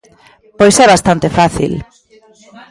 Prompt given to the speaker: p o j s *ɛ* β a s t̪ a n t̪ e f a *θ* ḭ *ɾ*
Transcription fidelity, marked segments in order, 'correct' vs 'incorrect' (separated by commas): correct, correct, incorrect